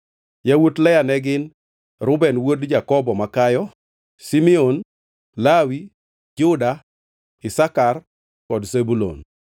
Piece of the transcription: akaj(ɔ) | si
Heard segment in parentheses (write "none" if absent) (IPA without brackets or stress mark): ɔ